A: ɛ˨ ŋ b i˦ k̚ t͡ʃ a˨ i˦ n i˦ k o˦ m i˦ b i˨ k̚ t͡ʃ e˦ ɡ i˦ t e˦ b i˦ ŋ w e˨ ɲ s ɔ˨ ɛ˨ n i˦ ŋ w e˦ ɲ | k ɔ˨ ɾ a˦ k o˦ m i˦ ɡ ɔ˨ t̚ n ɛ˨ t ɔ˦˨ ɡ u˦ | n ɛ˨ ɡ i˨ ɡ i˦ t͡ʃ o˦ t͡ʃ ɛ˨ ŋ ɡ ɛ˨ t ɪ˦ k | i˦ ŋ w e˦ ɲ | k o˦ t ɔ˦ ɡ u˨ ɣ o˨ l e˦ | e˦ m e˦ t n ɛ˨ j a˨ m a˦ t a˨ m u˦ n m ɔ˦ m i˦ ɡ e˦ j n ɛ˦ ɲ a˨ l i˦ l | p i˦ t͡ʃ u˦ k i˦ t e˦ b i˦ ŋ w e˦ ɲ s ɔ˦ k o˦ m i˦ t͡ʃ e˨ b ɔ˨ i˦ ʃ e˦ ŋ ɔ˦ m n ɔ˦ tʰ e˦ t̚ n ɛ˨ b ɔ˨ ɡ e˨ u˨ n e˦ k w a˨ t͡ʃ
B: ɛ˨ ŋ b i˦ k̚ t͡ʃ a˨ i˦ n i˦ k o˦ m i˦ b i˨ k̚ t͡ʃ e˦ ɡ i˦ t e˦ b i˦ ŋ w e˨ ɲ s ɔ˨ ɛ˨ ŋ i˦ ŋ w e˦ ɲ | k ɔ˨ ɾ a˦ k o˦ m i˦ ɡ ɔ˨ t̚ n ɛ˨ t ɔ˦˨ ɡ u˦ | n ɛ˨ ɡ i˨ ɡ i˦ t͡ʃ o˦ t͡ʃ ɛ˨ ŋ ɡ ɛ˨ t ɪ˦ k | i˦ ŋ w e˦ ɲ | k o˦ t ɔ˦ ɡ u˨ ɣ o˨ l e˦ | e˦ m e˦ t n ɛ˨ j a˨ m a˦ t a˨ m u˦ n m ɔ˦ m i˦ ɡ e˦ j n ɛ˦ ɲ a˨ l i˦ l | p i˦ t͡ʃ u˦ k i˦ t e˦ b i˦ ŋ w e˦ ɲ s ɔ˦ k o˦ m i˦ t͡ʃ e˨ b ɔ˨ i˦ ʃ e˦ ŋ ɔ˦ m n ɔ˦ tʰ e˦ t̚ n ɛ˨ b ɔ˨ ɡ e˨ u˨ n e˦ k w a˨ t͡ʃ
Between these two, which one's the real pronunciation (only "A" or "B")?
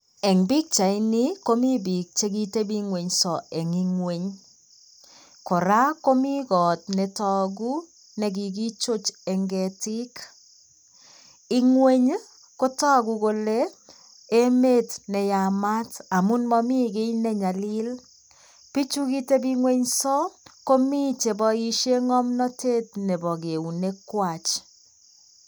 B